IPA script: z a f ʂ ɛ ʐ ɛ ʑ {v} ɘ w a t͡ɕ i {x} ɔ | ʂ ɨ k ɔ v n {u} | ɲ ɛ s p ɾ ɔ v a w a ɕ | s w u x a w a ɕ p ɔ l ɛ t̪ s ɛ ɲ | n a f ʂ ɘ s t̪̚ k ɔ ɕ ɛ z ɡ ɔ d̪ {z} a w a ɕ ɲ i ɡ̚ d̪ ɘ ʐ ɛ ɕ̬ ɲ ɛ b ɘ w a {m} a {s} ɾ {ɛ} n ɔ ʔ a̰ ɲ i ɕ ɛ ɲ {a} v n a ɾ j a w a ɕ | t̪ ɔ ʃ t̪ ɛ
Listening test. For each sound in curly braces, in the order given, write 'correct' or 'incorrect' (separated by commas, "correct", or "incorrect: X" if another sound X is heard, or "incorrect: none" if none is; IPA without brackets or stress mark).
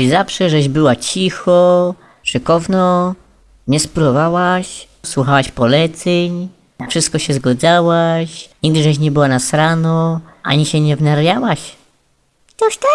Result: incorrect: b, correct, incorrect: ɔ, correct, incorrect: n, correct, incorrect: a, incorrect: ɛ